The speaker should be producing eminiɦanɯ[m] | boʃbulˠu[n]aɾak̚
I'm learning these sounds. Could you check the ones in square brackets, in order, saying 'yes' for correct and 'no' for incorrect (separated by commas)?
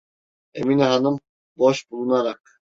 yes, yes